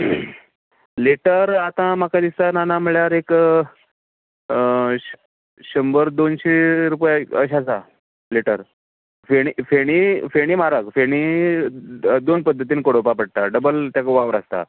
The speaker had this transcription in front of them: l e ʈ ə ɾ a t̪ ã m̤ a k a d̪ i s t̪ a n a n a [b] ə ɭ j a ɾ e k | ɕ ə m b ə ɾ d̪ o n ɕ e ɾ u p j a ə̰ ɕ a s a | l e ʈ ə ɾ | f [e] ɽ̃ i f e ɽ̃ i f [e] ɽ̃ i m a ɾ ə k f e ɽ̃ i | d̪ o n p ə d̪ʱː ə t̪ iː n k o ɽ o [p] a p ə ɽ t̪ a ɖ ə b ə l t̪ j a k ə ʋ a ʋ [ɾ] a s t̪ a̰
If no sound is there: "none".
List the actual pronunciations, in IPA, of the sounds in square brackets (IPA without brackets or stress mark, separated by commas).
m, e, e, p, ɾ